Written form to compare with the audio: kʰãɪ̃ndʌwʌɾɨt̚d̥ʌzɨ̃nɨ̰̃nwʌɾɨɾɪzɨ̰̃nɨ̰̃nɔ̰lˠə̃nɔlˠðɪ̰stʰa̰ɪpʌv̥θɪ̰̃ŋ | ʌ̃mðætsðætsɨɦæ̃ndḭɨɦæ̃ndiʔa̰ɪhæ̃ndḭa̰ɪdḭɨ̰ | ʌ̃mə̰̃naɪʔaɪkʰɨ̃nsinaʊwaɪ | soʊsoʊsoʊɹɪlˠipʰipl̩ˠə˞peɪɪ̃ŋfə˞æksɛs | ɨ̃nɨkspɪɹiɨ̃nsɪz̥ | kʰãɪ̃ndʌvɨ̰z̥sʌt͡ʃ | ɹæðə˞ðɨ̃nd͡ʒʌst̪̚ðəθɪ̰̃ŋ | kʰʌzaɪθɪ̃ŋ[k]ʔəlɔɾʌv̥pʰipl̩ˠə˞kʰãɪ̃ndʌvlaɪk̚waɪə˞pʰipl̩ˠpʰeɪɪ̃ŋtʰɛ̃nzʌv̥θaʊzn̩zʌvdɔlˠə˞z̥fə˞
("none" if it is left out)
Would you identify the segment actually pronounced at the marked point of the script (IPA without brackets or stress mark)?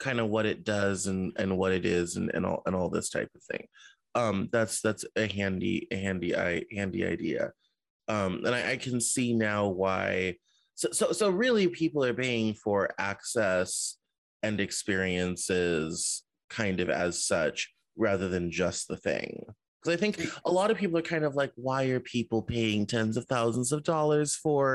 k